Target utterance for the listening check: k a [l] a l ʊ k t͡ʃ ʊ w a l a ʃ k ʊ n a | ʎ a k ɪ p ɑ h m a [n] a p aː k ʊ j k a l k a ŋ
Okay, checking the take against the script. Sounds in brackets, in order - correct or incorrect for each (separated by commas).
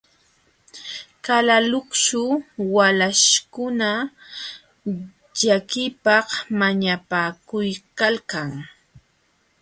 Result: correct, incorrect